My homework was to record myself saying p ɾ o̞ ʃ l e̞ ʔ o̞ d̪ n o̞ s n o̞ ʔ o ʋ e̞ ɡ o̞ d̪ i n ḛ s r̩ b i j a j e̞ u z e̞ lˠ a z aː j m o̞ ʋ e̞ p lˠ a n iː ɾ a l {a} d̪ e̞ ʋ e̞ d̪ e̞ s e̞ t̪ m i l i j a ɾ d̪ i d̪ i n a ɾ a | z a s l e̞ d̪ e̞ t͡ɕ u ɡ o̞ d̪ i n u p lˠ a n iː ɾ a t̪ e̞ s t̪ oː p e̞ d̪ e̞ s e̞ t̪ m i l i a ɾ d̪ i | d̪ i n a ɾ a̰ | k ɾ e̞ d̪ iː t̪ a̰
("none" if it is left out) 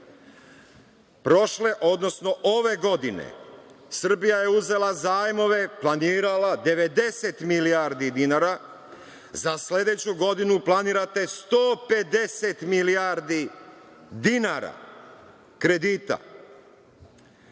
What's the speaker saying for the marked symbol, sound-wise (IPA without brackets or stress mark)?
a